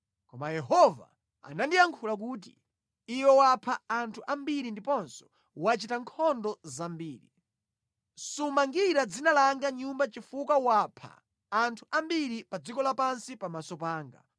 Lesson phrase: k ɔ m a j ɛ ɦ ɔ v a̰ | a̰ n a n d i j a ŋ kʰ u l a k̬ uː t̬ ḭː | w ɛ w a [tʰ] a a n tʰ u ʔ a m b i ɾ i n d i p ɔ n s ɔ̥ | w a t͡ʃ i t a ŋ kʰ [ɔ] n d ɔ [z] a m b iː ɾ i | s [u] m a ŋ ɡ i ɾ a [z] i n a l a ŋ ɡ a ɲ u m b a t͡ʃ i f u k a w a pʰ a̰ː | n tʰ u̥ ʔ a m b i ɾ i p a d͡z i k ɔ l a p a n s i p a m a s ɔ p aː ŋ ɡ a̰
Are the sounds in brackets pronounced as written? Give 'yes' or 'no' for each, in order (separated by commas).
no, yes, yes, yes, no